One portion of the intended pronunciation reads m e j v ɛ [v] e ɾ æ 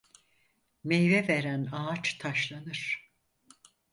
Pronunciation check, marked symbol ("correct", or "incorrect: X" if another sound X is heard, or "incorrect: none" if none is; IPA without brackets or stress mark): correct